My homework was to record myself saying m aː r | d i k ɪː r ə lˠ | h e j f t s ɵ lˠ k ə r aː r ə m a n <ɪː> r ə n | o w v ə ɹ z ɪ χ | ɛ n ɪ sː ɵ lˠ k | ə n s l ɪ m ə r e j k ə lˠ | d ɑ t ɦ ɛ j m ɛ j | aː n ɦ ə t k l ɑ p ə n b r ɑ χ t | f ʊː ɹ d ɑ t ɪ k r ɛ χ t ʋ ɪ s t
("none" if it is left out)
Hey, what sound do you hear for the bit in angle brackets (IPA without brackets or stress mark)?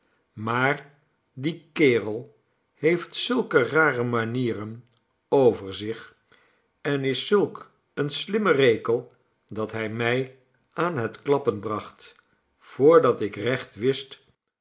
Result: iː